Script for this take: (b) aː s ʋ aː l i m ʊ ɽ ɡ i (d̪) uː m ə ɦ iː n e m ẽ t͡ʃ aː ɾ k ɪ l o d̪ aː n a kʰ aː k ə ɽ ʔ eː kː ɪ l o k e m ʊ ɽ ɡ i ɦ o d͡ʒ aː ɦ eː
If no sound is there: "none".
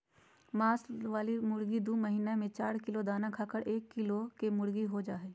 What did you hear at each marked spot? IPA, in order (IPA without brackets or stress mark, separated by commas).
m, d̪